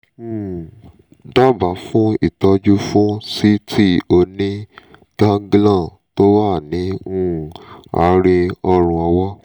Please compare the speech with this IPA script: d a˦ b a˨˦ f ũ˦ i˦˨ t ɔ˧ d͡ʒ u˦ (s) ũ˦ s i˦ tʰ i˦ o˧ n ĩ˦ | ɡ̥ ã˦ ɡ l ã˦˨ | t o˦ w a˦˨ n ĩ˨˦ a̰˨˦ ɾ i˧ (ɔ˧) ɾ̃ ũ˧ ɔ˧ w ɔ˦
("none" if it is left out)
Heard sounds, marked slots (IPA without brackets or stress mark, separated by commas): f, ɔ˧